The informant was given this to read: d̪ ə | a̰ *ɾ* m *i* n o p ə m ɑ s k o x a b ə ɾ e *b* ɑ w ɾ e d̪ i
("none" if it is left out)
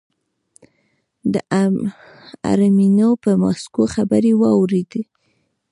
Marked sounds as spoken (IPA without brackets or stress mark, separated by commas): ɾ, i, w